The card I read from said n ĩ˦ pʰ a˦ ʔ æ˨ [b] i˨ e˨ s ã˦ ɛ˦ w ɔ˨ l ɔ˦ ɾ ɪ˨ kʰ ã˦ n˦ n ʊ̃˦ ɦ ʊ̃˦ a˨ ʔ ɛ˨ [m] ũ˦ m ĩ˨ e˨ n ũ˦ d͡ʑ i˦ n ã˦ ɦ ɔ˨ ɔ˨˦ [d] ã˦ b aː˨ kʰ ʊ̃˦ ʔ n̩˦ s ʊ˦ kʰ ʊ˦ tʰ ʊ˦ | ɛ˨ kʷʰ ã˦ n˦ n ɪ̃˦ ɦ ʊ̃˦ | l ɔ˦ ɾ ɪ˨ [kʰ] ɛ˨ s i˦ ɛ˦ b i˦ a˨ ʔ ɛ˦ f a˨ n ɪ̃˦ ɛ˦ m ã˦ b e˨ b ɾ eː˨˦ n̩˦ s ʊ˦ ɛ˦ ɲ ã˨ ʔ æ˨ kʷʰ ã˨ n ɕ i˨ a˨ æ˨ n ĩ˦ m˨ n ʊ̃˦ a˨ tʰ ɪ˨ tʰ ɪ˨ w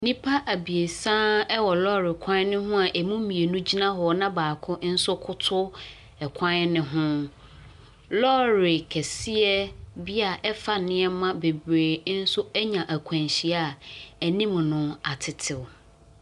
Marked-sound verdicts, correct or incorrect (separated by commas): correct, correct, incorrect, correct